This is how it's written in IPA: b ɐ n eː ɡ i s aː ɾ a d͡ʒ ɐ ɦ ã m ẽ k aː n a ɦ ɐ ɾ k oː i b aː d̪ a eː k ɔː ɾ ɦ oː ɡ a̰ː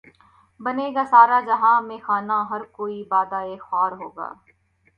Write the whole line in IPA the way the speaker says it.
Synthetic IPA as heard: b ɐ n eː ɡ a s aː ɾ a d͡ʒ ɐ ɦ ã m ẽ x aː n a ɦ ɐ ɾ k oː i b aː d̪ a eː x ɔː ɾ ɦ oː ɡ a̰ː

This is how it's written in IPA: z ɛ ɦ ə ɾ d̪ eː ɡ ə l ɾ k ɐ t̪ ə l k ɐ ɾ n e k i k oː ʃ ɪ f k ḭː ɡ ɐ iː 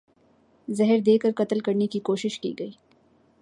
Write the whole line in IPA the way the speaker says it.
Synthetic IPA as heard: z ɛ ɦ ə ɾ d̪ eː k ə ɾ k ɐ t̪ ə l k ɐ ɾ n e k i k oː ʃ ɪ ʃ k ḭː ɡ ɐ iː

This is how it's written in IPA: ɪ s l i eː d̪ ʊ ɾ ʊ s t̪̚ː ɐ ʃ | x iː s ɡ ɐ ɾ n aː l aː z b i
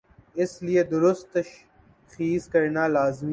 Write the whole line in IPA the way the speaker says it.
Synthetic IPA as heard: ɪ s l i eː d̪ ʊ ɾ ʊ s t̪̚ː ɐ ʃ | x iː s k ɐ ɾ n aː l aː z m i

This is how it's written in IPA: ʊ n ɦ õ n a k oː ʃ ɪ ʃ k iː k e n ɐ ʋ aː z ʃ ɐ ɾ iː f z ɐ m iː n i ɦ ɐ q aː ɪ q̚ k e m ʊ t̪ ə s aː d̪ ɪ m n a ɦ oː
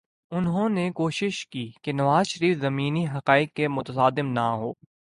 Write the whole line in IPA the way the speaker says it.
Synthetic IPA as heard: ʊ n ɦ õ n e k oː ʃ ɪ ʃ k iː k e n ɐ ʋ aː z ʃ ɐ ɾ iː f z ɐ m iː n i ɦ ɐ q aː ɪ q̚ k e m ʊ t̪ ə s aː d̪ ɪ m n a ɦ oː

